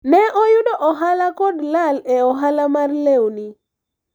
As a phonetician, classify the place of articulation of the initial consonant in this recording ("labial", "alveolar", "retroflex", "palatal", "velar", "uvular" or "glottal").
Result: alveolar